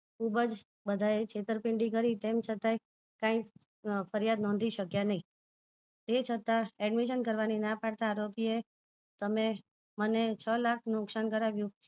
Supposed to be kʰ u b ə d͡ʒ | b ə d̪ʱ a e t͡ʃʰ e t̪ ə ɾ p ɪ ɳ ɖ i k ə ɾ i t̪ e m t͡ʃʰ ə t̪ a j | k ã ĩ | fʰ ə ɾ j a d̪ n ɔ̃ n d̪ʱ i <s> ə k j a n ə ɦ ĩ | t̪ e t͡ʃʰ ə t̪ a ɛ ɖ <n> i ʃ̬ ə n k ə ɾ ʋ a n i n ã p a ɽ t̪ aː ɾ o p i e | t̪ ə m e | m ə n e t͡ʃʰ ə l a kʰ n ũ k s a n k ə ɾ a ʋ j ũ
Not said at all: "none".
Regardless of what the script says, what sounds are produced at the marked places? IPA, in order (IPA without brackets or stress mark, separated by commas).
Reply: ʃ, m